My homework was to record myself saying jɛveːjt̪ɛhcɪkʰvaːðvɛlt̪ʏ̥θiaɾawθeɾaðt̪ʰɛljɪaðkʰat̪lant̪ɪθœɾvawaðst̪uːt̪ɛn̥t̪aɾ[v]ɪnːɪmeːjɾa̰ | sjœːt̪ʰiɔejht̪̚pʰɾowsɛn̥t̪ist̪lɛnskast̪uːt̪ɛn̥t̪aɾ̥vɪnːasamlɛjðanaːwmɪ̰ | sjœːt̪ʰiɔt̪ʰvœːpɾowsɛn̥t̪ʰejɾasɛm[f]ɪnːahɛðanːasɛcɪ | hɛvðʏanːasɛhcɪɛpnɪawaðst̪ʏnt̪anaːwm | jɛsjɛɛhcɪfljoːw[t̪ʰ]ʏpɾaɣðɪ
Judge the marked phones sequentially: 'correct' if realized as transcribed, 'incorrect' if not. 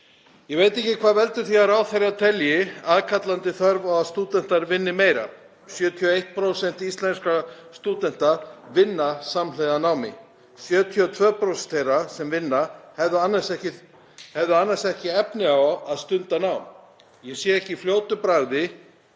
correct, incorrect: v, incorrect: t̪

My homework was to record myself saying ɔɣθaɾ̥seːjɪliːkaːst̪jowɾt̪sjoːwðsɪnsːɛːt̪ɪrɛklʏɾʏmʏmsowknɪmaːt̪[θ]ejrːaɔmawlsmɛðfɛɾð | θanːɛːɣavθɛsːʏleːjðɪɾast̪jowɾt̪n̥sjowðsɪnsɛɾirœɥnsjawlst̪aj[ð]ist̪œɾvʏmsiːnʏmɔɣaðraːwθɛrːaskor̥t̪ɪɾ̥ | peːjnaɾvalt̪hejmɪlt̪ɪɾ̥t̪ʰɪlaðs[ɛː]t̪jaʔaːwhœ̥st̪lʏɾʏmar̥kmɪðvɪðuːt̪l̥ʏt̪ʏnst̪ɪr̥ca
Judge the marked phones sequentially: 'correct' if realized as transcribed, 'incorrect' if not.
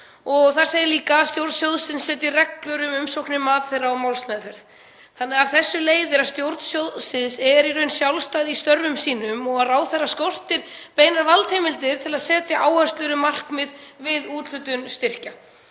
correct, correct, correct

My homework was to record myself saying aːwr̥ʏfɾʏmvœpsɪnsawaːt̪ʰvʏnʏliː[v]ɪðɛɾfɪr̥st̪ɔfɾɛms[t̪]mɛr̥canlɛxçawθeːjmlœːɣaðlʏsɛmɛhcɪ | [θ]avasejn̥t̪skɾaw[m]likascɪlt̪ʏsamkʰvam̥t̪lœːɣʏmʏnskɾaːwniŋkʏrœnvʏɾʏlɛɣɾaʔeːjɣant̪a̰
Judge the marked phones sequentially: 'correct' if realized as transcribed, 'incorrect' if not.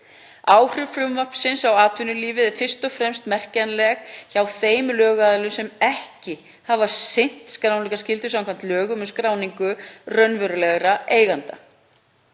correct, correct, incorrect: h, incorrect: n

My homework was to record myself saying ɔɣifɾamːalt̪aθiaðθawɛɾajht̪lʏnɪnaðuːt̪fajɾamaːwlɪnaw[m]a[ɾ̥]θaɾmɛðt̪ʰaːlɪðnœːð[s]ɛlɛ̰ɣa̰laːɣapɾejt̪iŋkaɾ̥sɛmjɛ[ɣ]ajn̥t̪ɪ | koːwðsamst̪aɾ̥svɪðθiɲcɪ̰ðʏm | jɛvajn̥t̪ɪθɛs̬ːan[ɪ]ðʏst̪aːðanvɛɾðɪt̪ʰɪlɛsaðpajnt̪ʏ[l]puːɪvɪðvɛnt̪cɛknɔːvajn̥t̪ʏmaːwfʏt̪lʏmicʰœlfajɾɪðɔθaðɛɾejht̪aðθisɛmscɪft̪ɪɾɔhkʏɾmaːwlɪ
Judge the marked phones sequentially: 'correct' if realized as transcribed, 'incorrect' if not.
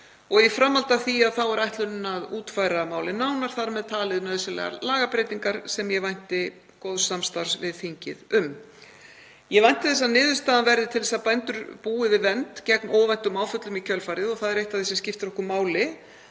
incorrect: n, correct, correct, incorrect: v, incorrect: ɪː, incorrect: ɾ

